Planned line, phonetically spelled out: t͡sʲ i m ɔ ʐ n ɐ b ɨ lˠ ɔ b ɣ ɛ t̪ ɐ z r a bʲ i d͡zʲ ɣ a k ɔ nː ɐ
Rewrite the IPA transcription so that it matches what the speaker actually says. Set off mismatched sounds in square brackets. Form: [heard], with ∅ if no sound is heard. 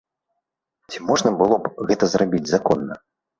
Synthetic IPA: t͡sʲ i m ɔ ʐ n ɐ b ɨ lˠ ɔ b ɣ ɛ t̪ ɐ z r a bʲ i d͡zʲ [z] a k ɔ nː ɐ